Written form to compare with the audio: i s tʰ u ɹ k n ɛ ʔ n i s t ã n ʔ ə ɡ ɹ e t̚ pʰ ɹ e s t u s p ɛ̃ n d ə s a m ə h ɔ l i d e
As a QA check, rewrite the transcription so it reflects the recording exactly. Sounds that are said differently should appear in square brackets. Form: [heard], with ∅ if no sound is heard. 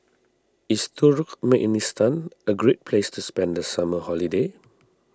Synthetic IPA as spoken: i s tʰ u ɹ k [m] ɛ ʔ n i s t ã n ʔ ə ɡ ɹ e t̚ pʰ [l] e s t u s p ɛ̃ n d ə s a m ə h ɔ l i d e